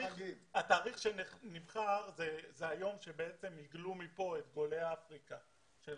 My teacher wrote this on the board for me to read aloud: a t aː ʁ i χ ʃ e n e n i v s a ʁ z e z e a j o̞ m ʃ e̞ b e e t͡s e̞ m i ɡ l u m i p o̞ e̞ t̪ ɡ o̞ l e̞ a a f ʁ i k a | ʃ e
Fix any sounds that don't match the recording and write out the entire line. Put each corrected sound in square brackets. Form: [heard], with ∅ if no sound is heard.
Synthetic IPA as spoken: a t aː ʁ i χ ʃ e n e n i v [χ] a ʁ z e z e a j o̞ m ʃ e̞ b e e t͡s e̞ m i ɡ l u m i p o̞ e̞ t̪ ɡ o̞ l e̞ a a f ʁ i k a | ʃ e